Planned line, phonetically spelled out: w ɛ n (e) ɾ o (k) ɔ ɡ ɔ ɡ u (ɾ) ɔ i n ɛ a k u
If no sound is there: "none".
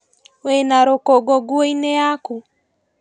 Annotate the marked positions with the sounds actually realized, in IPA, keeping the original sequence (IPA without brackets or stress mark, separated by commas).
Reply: a, k, none